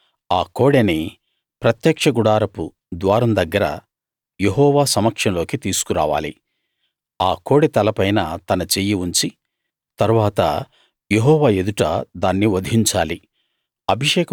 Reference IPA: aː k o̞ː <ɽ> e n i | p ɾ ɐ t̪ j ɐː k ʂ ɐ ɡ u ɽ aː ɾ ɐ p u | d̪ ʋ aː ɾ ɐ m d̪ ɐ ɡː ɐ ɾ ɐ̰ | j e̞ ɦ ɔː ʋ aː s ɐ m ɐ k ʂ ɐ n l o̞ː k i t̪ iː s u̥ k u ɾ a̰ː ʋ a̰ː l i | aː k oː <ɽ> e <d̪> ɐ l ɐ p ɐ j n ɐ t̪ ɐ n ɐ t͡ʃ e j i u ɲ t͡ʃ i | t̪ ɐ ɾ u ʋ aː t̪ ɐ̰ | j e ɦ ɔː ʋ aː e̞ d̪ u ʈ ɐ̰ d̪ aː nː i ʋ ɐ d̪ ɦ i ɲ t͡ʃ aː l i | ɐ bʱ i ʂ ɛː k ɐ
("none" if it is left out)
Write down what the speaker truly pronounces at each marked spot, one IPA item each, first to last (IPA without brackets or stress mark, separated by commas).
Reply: ɽ, ɽ, t̪